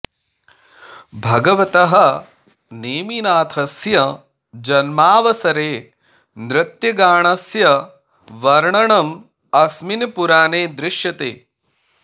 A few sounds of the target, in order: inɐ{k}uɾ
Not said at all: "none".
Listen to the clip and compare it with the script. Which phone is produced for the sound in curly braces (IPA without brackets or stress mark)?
p